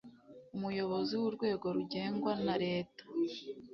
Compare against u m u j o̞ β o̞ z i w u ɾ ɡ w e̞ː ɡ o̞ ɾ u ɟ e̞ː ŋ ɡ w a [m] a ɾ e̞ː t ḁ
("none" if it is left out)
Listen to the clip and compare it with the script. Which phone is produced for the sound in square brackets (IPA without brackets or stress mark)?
n